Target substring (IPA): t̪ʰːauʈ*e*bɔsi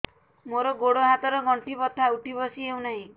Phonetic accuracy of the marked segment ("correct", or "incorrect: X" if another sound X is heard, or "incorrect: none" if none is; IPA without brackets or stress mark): incorrect: i